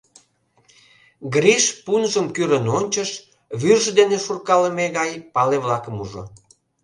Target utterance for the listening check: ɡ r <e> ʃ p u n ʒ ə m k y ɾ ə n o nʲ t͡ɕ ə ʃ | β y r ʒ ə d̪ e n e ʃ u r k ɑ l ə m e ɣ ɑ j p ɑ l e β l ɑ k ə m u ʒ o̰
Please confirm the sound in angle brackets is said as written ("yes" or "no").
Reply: no